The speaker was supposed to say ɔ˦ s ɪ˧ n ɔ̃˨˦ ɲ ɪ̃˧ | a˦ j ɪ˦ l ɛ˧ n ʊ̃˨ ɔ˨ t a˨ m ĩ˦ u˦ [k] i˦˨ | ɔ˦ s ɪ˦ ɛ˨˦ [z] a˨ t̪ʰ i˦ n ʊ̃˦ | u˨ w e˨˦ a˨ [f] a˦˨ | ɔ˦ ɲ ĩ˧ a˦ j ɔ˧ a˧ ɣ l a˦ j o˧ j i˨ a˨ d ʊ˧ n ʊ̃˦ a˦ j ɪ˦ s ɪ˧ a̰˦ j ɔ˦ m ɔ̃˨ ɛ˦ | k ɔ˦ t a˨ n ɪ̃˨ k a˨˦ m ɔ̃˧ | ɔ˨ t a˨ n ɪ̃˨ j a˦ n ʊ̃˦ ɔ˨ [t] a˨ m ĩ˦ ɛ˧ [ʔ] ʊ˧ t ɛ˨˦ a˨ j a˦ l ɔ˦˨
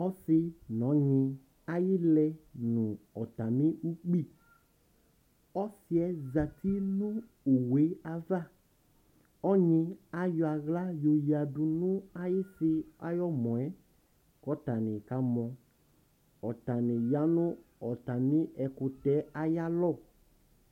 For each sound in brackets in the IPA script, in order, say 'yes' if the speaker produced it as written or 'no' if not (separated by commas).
no, yes, no, yes, no